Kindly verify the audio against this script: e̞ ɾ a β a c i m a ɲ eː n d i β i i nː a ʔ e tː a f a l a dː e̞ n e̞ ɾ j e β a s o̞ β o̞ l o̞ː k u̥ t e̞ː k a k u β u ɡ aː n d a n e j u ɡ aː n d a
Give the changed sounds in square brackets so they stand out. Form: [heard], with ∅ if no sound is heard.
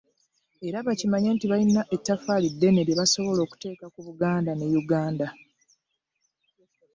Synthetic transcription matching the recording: e̞ ɾ a β a c i m a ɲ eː n [t] i β [a] i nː a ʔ e tː a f a l [i] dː e̞ n e̞ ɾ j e β a s o̞ β o̞ l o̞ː k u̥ t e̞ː k a k u β u ɡ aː n d a n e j u ɡ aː n d a